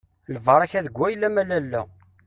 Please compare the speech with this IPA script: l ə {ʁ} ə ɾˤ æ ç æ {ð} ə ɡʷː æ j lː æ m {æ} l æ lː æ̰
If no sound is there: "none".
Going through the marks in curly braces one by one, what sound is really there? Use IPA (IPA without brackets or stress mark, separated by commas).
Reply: v, ð, æ